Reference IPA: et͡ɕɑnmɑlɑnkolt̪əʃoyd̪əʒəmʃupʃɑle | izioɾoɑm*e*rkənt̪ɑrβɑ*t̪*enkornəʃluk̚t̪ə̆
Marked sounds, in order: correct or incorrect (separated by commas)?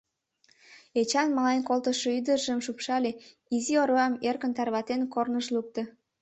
correct, correct